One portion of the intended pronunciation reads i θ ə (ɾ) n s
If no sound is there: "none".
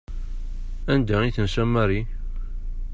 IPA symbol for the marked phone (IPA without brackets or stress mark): none